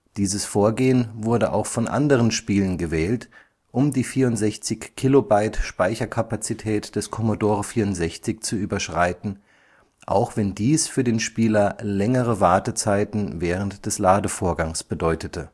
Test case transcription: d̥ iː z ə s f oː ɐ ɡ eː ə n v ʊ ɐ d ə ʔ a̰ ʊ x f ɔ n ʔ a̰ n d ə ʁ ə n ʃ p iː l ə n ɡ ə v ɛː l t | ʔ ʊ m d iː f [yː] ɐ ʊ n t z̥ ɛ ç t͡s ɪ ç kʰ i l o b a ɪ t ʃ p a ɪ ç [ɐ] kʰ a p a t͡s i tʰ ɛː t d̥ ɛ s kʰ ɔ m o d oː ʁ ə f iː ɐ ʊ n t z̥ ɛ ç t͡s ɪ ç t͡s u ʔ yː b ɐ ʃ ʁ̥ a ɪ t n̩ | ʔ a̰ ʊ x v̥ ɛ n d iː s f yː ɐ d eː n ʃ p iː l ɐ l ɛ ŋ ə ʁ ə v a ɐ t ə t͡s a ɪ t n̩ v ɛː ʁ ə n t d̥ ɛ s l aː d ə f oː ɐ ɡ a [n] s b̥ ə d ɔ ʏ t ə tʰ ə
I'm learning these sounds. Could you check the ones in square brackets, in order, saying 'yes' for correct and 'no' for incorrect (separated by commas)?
no, yes, no